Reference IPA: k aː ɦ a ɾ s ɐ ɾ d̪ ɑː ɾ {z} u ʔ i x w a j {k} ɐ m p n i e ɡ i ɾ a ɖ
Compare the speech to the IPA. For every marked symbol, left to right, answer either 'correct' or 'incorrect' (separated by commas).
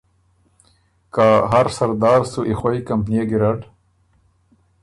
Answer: incorrect, correct